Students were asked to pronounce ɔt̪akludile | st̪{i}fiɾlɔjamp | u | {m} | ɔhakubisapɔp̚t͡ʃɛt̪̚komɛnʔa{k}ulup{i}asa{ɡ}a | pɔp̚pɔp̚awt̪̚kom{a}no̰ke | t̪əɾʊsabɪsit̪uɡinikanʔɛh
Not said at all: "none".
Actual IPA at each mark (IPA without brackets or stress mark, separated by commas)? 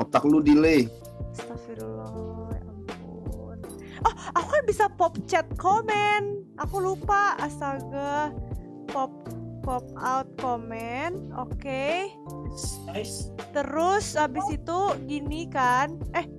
a, n, k, a, ɡ, ɛ